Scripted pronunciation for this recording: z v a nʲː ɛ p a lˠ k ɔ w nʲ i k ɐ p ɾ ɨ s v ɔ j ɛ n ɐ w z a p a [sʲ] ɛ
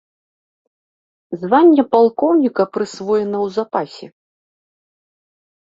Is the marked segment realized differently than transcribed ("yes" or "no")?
no